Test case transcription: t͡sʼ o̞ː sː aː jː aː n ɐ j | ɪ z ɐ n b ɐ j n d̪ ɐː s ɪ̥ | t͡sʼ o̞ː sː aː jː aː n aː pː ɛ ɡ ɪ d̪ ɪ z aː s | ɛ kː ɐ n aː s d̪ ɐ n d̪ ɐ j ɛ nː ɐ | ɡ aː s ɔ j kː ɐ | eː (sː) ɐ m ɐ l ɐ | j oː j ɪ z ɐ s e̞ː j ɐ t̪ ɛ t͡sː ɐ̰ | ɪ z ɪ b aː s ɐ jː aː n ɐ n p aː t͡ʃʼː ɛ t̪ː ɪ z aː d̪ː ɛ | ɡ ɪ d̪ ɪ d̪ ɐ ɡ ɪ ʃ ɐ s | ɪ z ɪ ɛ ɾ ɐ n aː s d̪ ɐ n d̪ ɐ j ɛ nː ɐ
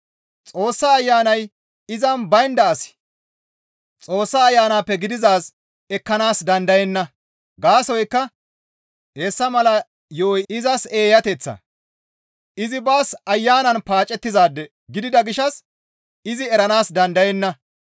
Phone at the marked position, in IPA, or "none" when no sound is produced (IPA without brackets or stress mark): sː